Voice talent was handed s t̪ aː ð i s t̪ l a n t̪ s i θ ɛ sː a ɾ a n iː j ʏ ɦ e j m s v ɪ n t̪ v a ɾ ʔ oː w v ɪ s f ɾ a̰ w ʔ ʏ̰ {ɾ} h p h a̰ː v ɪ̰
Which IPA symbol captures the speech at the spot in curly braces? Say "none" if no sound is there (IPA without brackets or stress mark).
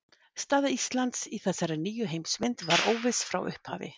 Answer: none